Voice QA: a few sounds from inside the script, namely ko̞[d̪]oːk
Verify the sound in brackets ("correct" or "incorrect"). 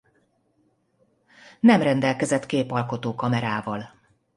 incorrect